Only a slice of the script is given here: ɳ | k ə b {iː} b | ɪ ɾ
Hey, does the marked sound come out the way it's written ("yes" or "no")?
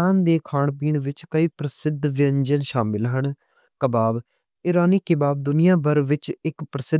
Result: no